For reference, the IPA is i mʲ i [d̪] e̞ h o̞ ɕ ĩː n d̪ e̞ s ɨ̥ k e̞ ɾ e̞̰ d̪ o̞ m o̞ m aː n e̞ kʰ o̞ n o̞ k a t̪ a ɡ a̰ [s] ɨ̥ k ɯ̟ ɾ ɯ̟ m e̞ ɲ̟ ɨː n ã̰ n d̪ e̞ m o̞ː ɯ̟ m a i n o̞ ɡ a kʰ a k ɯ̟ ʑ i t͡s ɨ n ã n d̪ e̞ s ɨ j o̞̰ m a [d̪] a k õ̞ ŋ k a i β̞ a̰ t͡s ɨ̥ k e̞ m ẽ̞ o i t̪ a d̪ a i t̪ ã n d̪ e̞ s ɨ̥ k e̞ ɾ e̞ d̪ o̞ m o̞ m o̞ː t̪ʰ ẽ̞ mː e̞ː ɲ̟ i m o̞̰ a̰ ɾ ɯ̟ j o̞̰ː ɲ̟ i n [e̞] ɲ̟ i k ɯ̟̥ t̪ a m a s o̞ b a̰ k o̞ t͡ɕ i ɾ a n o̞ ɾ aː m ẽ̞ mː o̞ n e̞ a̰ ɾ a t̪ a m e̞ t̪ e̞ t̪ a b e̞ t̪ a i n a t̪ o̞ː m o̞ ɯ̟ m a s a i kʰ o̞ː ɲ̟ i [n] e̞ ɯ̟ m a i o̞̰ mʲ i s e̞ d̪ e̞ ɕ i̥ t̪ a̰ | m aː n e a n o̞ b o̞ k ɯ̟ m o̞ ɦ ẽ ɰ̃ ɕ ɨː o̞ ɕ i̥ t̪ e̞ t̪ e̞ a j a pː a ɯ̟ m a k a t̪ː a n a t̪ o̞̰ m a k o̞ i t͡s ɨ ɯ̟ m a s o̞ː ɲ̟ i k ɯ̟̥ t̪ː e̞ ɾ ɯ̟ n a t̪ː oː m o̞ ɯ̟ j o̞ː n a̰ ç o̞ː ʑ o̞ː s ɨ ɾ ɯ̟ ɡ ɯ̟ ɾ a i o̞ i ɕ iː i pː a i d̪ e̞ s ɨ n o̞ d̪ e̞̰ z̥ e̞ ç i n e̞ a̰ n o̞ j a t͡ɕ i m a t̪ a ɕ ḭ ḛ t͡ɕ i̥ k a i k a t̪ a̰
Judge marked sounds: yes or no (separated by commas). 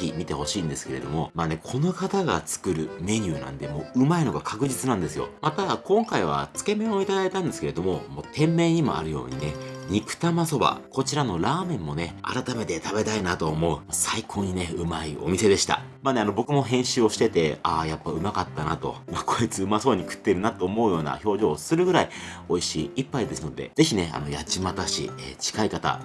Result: no, no, no, yes, yes